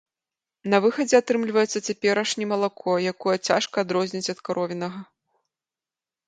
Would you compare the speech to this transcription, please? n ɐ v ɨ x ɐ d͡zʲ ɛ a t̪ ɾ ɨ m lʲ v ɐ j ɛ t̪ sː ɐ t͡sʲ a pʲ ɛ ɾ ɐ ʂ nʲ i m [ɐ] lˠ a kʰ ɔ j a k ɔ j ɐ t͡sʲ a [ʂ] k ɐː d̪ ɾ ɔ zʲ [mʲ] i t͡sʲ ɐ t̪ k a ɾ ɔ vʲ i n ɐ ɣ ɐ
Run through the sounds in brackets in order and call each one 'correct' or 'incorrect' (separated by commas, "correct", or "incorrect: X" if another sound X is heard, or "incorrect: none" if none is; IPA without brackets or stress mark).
correct, correct, incorrect: nʲ